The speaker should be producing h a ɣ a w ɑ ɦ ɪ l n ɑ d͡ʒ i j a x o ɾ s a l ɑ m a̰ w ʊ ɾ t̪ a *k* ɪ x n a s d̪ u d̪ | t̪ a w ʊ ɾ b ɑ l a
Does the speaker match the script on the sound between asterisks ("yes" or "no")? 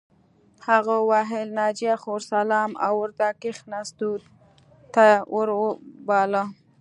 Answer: yes